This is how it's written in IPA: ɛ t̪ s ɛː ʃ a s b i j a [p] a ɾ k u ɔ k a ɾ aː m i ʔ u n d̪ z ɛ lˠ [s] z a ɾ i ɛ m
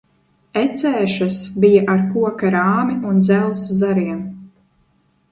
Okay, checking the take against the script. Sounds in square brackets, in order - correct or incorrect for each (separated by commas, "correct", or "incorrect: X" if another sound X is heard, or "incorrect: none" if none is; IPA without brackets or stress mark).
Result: incorrect: ʔ, correct